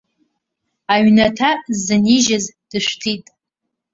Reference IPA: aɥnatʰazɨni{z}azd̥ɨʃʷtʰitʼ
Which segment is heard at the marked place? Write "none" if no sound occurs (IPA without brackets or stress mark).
ʒ